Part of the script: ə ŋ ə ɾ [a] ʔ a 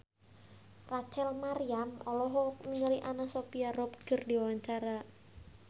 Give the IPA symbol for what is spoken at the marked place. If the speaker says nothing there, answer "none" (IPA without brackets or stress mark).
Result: i